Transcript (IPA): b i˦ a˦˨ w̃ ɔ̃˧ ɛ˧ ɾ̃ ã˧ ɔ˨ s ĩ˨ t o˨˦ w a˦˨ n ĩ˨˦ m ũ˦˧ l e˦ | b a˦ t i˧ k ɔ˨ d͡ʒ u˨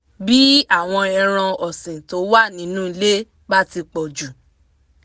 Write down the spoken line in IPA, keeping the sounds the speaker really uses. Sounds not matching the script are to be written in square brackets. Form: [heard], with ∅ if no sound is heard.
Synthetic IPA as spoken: b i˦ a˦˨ w̃ ɔ̃˧ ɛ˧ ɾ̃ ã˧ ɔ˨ s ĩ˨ t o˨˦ w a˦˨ n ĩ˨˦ [n] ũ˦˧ l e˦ | b a˦ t i˧ [k͡p] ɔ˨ d͡ʒ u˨